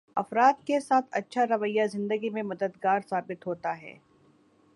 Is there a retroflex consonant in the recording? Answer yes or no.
no